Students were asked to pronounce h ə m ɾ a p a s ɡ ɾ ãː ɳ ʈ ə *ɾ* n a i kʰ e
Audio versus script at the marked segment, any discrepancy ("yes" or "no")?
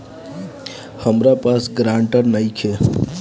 no